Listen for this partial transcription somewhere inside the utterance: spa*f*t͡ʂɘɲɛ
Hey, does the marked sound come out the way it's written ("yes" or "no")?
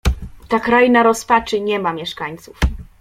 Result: no